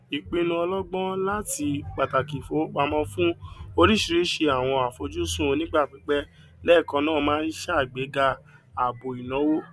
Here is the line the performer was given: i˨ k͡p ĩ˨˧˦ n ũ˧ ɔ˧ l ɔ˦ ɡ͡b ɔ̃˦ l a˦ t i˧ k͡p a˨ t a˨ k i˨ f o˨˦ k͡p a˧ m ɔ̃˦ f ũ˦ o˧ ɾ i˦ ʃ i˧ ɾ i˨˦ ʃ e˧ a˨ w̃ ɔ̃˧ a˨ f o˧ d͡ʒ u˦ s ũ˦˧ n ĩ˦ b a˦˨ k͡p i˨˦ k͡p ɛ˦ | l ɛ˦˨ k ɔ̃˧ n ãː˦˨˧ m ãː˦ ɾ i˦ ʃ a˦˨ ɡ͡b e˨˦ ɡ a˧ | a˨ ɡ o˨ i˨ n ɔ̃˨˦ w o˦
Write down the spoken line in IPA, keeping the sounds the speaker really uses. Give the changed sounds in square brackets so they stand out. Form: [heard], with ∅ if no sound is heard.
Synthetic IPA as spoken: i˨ k͡p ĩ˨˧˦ n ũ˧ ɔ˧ l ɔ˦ ɡ͡b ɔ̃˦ l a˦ t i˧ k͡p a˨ t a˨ k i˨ f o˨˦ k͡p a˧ m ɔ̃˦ f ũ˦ o˧ ɾ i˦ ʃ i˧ ɾ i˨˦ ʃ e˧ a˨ w̃ ɔ̃˧ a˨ f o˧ d͡ʒ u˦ s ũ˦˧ n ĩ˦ [ɡ͡b] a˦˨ k͡p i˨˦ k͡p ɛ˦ | l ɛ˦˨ k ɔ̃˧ n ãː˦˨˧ m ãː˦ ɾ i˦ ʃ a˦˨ ɡ͡b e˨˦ ɡ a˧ | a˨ [b] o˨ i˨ n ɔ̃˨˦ w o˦

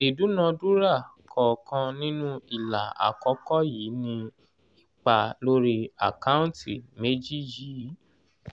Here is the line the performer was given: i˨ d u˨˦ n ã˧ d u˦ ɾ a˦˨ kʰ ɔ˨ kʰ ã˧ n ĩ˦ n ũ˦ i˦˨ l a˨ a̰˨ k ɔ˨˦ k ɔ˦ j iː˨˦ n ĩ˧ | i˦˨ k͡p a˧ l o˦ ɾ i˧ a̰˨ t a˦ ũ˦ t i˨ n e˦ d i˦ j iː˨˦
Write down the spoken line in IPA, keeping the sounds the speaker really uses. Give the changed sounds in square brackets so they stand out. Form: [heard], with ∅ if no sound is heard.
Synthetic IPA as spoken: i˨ d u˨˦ n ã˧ d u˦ ɾ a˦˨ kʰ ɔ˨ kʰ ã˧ n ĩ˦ n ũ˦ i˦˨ l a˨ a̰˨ k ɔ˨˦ k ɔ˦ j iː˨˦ n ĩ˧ | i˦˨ k͡p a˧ l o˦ ɾ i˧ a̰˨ [k] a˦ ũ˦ t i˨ [m] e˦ [d͡ʒ] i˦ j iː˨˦

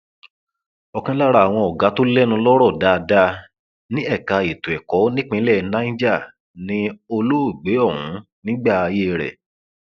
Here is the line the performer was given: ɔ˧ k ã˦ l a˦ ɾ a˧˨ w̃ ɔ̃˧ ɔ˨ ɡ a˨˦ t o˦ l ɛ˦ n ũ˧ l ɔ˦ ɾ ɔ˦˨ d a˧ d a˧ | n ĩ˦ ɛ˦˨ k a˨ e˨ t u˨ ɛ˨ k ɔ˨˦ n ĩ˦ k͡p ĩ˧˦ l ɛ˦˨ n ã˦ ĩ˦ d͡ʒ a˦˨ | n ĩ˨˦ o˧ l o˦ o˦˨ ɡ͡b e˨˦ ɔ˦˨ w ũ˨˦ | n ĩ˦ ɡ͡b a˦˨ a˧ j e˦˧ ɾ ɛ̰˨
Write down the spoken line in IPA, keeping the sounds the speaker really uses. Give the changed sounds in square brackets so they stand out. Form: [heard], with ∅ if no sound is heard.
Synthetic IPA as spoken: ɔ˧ k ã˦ l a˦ ɾ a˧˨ w̃ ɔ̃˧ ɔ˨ ɡ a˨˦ t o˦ l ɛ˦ n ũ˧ l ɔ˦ ɾ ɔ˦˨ d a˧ d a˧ | n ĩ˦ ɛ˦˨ k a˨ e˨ t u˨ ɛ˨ k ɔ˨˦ n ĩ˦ k͡p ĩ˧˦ l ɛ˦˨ n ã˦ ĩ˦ d͡ʒ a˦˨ | n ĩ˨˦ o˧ l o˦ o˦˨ ɡ͡b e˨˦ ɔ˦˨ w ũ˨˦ | n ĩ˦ ɡ͡b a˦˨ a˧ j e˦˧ ɾ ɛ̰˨

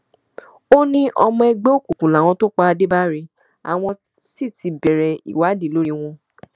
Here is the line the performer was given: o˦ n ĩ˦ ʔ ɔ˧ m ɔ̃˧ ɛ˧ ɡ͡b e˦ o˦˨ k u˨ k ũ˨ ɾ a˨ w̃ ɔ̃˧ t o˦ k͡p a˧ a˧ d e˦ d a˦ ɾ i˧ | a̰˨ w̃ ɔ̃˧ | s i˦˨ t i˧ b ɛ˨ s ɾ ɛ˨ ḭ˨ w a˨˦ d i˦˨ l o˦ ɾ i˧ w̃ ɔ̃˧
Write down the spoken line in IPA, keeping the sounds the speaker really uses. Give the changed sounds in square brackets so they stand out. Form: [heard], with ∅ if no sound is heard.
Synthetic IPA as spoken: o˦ n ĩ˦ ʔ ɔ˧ m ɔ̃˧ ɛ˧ ɡ͡b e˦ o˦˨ k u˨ k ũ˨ [l] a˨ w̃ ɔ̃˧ t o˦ k͡p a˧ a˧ d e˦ [b] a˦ ɾ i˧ | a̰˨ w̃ ɔ̃˧ | s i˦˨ t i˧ b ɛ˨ [∅] ɾ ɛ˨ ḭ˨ w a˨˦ d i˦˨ l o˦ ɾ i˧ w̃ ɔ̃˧

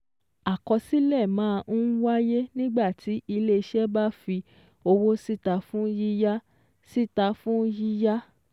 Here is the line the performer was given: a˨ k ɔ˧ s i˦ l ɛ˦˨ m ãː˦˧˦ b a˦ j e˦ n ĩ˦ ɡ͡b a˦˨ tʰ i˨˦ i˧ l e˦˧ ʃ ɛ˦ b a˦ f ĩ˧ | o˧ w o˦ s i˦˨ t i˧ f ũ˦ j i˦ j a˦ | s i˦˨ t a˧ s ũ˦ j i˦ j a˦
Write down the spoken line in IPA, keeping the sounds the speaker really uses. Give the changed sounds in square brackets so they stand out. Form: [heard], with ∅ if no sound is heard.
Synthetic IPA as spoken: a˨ k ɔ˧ s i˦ l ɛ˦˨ m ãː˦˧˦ [w] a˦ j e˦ n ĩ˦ ɡ͡b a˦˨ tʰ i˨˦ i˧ l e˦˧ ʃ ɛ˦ b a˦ f [i˧] | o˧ w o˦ s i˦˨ t [a˧] f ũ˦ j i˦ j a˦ | s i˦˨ t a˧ [f] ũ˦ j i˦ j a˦

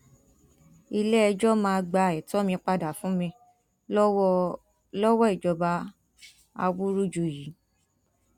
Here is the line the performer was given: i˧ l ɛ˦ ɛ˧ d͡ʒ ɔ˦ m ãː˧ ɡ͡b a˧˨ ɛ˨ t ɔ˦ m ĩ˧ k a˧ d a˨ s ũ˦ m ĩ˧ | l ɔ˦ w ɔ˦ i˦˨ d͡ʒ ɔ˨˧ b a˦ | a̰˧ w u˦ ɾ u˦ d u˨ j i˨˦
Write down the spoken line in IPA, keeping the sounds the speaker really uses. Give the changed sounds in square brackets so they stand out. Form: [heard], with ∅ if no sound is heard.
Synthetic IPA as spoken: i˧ l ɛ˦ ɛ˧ d͡ʒ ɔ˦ m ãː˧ ɡ͡b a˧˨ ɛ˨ t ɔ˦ m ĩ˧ [k͡p] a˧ d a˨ [f] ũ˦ m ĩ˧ | l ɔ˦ w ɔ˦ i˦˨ d͡ʒ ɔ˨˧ b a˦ | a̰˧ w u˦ ɾ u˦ [d͡ʒ] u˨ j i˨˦

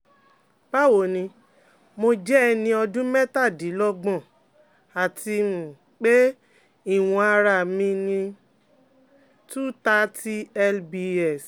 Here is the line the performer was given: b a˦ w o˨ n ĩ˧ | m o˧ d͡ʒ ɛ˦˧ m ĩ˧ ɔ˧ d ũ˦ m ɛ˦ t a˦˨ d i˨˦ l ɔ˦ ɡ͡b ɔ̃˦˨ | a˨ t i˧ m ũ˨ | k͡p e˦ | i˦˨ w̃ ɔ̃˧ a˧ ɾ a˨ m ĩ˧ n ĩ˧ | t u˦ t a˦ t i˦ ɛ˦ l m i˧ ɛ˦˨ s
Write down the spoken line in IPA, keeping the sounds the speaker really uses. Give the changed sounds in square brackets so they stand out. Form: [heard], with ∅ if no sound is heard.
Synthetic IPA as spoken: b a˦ w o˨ n ĩ˧ | m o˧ d͡ʒ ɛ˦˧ [n] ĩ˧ ɔ˧ d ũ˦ m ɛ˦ t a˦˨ d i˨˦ l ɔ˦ ɡ͡b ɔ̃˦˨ | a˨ t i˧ m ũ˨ | k͡p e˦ | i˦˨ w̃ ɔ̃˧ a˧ ɾ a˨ m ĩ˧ n ĩ˧ | t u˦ t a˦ t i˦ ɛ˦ l [b] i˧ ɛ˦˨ s

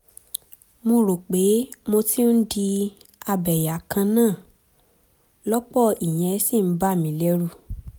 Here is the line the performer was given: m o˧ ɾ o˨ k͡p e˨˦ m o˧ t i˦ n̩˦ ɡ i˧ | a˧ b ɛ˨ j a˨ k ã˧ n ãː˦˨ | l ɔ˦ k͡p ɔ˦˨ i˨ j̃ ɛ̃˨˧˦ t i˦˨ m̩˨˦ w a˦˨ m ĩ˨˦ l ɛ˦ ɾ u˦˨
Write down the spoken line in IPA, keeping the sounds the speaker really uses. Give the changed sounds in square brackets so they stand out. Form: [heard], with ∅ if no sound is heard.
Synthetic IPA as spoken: m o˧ ɾ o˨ k͡p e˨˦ m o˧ t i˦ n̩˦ [d] i˧ | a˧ b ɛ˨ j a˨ k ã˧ n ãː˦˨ | l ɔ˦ k͡p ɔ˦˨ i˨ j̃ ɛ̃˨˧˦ [s] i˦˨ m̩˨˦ [b] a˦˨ m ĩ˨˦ l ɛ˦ ɾ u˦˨

